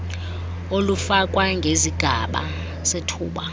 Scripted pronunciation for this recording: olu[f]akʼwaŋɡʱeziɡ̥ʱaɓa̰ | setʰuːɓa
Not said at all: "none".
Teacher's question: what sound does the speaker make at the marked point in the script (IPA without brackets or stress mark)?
f